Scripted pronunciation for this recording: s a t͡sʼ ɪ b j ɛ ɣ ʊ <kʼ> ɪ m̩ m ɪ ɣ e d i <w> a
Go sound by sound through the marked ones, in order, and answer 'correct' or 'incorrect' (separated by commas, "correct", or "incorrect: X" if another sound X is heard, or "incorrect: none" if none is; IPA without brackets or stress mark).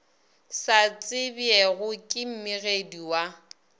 correct, correct